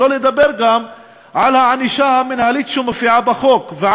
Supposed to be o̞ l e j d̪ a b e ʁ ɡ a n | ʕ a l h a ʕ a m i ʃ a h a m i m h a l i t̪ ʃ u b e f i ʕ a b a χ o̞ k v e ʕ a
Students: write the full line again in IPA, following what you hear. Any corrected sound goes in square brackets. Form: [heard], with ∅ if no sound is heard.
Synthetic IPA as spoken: o̞ l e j d̪ a b e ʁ ɡ a [m] | ʕ a l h a ʕ a [n] i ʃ a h a m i [n] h a l i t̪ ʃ u [m] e f i ʕ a b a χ o̞ k v e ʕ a